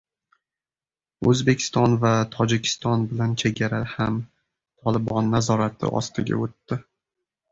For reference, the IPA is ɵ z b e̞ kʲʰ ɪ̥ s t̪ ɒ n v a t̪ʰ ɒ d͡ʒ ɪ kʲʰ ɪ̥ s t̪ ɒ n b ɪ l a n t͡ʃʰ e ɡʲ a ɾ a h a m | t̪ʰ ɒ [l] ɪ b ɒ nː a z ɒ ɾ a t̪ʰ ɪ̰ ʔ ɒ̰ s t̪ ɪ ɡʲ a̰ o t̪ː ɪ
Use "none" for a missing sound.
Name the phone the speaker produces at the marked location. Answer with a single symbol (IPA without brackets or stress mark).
l